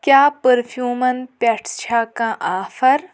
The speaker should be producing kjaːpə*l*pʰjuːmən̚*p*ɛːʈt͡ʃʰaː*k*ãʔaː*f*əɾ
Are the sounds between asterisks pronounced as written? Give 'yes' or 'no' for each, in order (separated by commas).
no, yes, yes, yes